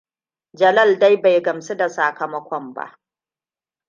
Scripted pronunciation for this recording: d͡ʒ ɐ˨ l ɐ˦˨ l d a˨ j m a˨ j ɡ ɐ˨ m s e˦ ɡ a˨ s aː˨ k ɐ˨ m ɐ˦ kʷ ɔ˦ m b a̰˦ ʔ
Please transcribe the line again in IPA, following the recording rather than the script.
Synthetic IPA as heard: d͡ʒ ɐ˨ l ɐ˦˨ l d a˦ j b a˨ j ɡ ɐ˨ m s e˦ d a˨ s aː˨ k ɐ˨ m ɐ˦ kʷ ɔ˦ m b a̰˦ ʔ